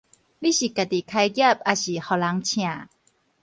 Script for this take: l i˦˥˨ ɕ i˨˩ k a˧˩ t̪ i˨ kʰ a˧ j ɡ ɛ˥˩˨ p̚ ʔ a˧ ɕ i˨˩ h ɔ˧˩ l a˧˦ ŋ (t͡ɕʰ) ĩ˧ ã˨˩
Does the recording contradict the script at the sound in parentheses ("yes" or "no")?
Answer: no